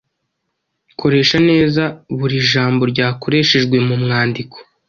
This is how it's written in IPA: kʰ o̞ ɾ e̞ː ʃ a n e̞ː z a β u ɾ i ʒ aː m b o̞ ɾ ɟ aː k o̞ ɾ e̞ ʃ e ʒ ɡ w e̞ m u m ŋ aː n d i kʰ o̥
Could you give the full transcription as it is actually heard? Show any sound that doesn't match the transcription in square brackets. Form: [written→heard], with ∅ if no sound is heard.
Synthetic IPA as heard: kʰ o̞ ɾ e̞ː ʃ a n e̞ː z a β u ɾ i ʒ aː m b o̞ ɾ ɟ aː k o̞ ɾ e̞ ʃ e ʒ ɡ w e̞ m u m ŋ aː n d i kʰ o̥